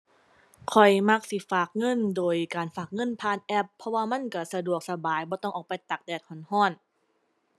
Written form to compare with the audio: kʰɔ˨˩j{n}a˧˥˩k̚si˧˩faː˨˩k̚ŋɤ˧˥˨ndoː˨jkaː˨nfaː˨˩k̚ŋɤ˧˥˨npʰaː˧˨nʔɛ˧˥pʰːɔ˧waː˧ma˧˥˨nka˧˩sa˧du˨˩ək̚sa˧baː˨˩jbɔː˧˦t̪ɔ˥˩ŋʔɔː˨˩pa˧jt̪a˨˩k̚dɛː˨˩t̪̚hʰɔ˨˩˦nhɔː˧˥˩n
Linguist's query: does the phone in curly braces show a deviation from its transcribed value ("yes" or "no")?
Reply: yes